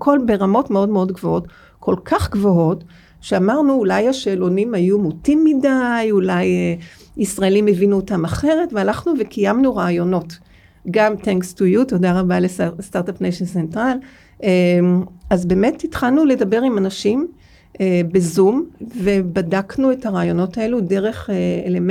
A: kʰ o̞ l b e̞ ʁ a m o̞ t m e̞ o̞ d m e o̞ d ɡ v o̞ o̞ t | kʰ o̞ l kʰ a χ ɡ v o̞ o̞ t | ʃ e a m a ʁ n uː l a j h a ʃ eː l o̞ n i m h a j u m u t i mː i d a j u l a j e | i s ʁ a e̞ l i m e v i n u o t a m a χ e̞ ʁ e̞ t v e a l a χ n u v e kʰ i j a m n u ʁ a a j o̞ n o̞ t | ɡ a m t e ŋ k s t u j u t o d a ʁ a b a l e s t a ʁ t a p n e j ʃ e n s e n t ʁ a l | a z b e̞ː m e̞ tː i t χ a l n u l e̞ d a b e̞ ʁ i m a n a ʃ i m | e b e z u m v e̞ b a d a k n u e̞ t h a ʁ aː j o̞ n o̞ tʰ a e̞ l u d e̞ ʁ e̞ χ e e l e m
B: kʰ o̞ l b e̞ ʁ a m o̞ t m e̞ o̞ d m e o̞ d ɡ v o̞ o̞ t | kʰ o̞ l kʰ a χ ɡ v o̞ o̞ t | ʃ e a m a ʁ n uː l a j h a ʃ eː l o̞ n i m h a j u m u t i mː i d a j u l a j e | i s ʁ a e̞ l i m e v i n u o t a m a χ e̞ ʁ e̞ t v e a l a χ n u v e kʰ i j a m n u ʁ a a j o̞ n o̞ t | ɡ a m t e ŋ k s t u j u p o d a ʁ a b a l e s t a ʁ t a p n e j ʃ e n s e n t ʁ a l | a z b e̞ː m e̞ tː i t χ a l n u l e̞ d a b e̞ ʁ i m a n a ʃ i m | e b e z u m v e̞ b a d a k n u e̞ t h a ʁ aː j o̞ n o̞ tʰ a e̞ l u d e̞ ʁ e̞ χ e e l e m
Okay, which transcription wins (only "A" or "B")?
A